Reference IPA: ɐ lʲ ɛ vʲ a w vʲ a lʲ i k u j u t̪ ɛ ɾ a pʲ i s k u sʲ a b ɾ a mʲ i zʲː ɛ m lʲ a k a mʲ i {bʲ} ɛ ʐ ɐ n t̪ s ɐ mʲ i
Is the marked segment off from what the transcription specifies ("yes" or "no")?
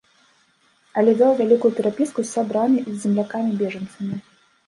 no